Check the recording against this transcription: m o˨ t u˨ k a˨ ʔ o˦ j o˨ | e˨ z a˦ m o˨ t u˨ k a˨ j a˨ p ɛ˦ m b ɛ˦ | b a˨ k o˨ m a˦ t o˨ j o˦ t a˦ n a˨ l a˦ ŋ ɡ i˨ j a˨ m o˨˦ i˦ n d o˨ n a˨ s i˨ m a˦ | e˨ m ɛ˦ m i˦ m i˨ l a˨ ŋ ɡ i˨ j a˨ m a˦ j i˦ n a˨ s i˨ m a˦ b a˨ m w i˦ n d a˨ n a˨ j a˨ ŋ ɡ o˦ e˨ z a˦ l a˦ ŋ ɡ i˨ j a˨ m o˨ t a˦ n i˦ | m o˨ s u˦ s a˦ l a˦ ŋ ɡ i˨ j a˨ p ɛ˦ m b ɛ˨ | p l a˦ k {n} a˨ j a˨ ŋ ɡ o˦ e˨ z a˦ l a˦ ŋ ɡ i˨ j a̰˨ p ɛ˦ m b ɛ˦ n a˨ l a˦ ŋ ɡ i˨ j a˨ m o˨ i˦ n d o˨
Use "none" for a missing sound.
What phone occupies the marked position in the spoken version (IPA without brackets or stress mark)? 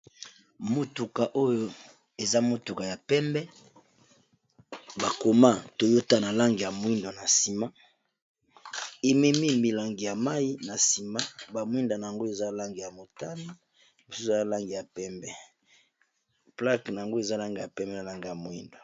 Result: n